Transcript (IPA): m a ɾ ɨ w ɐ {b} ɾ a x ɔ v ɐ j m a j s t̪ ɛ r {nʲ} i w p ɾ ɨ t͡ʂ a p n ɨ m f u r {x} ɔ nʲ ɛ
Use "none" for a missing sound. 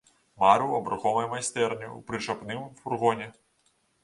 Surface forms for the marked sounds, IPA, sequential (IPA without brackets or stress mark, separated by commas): b, nʲ, ɣ